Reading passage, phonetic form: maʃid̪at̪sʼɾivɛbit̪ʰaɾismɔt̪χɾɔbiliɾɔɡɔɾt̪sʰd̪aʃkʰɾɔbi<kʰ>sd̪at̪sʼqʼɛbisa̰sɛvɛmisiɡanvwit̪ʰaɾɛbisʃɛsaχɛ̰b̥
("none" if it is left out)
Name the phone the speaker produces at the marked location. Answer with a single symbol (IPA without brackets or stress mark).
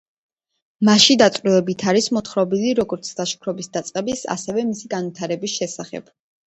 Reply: none